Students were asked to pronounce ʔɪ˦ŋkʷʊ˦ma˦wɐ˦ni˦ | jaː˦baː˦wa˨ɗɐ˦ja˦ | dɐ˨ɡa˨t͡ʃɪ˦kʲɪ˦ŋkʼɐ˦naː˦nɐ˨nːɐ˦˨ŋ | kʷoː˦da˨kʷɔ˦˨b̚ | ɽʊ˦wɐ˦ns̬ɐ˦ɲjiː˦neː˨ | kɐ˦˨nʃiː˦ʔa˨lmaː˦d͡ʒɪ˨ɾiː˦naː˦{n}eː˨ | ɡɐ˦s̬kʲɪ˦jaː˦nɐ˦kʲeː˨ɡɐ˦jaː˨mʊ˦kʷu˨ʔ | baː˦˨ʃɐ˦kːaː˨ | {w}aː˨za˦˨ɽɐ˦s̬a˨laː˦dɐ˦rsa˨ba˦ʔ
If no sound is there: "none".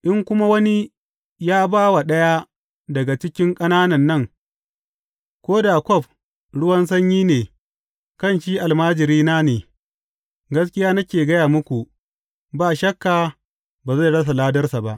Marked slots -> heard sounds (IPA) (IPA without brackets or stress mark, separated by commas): n, b